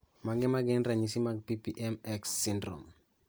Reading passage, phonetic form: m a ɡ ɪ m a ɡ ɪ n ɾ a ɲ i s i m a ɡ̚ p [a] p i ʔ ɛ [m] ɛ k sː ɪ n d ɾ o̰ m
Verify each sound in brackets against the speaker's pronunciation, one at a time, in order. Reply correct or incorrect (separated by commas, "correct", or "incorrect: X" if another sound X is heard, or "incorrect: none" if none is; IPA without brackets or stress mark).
incorrect: i, correct